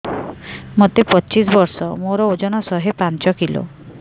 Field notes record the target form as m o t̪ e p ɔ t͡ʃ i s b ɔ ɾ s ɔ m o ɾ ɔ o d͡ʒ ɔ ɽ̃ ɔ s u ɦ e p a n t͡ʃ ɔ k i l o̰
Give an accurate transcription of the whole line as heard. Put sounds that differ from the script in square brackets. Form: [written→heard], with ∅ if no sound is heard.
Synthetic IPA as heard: m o t̪ e p ɔ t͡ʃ i s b ɔ ɾ s ɔ m o ɾ ɔ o d͡ʒ ɔ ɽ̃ ɔ s [u→ɔ] ɦ e p a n t͡ʃ ɔ k i l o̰

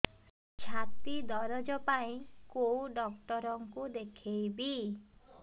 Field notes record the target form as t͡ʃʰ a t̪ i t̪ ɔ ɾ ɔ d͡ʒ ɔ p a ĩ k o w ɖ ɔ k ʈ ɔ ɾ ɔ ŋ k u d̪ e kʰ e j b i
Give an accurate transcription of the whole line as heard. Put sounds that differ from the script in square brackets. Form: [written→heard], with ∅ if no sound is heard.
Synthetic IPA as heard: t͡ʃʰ a t̪ i [t̪→d̪] ɔ ɾ ɔ d͡ʒ ɔ p a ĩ k o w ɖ ɔ k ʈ ɔ ɾ ɔ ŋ k u d̪ e kʰ e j b i

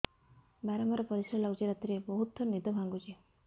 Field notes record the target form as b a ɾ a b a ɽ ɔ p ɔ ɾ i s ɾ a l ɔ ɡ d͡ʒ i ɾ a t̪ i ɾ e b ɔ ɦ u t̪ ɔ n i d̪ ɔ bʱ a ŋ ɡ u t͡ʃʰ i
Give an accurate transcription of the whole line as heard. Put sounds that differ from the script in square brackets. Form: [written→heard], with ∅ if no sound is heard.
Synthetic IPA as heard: b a ɾ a [b→m] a [ɽ→ɾ] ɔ p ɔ ɾ i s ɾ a l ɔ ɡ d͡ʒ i ɾ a t̪ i ɾ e b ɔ ɦ u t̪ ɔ n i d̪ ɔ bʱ a ŋ ɡ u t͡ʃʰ i

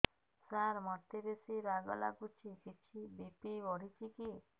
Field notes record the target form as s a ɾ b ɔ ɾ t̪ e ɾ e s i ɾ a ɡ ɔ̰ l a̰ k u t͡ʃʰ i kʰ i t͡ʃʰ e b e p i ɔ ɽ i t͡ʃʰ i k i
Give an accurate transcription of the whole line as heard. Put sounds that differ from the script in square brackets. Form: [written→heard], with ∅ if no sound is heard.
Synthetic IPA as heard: s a ɾ [b→m] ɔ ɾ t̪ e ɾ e s i ɾ a ɡ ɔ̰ l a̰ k u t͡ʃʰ i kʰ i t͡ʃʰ [e→i] b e p i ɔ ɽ i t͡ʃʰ i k i

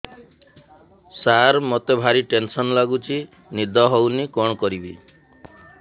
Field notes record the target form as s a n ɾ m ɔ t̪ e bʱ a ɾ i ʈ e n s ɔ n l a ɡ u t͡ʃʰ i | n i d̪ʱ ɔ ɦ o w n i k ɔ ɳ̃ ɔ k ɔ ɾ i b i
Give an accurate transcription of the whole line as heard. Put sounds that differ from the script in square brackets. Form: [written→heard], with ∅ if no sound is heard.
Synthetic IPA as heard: s a [n→∅] ɾ m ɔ t̪ e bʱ a ɾ i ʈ e n s ɔ n l a ɡ u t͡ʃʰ i | n i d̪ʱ ɔ ɦ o w n i k ɔ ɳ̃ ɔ k ɔ ɾ i b i

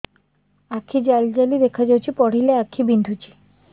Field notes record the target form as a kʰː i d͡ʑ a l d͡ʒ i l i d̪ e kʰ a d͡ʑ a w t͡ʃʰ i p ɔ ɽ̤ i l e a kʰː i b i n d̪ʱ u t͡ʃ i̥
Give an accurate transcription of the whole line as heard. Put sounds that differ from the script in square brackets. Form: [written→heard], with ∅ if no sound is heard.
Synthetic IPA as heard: a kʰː i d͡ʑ a l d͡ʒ [i→a] l i d̪ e kʰ a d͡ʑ a w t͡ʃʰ i p ɔ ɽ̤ i l e a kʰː i b i n d̪ʱ u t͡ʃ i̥

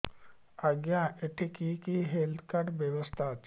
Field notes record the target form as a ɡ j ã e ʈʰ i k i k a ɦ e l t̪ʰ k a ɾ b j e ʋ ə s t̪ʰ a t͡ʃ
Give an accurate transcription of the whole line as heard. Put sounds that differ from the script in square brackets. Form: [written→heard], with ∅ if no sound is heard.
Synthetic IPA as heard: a ɡ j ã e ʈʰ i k i k [a→i] ɦ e l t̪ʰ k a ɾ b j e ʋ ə s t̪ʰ a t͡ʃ

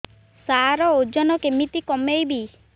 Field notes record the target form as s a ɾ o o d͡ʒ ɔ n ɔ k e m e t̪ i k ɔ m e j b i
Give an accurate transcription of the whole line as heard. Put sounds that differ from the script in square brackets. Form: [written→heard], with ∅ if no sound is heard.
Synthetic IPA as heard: s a ɾ [o→ɔ] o d͡ʒ ɔ n ɔ k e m [e→i] t̪ i k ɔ m e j b i

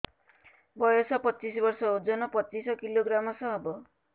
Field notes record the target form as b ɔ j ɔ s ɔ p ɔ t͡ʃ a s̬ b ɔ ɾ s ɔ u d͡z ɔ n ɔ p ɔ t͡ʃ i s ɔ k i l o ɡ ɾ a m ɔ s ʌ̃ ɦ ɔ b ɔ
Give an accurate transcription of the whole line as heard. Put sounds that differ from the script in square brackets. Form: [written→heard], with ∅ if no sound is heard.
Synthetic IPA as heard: b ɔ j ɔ s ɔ p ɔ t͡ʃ [a→i] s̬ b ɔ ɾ s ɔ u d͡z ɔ n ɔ p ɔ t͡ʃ i s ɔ k i l o ɡ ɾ a m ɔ s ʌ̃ ɦ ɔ b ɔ

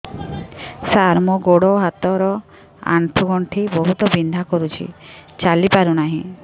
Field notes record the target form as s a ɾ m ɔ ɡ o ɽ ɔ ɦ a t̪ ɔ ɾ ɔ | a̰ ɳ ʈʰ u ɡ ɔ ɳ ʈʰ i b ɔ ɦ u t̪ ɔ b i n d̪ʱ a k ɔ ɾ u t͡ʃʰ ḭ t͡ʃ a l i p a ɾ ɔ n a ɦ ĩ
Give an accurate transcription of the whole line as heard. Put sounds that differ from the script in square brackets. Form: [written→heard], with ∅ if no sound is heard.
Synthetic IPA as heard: s a ɾ m ɔ ɡ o ɽ ɔ ɦ a t̪ ɔ ɾ ɔ | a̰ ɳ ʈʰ u ɡ ɔ ɳ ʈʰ i b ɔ ɦ u t̪ ɔ b i n d̪ʱ a k ɔ ɾ u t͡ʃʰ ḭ t͡ʃ a l i p a ɾ [ɔ→u] n a ɦ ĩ

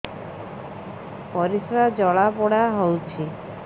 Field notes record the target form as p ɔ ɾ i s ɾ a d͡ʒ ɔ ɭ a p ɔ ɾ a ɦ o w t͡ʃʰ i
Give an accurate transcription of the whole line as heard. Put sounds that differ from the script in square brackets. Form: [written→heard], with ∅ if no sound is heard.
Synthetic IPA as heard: p ɔ ɾ i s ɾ a d͡ʒ ɔ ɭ a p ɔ [ɾ→ɽ] a ɦ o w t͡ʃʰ i

